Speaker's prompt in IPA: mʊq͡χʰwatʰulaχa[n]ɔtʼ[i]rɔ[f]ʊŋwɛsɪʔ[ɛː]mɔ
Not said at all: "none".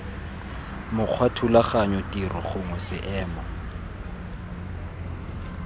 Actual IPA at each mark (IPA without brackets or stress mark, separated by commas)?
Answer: ɲ, i, χ, ɛː